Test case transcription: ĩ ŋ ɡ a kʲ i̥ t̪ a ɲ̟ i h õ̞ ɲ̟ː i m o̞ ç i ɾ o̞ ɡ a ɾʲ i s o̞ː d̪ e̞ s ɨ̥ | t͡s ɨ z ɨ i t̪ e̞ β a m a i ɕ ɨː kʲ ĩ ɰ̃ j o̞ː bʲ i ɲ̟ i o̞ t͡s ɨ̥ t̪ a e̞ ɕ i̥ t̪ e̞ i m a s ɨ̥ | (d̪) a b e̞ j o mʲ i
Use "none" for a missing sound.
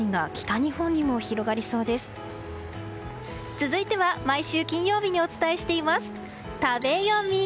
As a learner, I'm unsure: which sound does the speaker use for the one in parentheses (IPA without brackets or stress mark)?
t̪